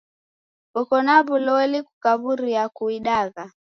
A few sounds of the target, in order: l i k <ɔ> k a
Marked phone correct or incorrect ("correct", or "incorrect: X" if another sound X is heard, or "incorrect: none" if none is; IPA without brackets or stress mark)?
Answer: incorrect: u